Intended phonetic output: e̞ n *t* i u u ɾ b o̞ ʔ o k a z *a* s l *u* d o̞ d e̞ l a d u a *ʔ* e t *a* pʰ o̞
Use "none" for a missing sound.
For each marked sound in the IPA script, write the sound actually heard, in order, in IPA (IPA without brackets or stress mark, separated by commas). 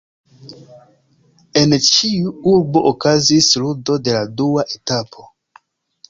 t͡ʃ, i, u, ʔ, a